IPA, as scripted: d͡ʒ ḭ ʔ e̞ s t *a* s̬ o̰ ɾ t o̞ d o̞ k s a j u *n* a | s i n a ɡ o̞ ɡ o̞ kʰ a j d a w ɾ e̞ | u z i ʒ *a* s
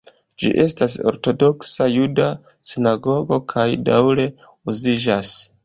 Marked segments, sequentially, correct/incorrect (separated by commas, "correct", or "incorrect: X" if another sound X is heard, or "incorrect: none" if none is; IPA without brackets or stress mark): correct, incorrect: d, correct